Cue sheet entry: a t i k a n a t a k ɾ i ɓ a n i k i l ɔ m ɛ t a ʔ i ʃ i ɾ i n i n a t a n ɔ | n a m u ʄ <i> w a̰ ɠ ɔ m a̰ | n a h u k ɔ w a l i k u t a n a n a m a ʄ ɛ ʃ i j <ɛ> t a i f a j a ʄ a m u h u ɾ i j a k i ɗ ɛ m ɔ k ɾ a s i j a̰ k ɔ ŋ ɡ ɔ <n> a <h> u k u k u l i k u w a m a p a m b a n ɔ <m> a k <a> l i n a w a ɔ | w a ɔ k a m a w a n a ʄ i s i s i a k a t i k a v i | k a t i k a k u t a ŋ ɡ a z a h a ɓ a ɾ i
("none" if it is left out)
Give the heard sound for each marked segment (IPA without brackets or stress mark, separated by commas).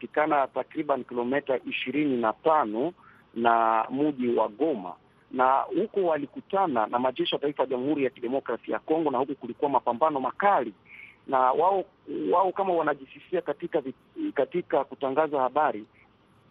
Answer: i, a, n, h, m, a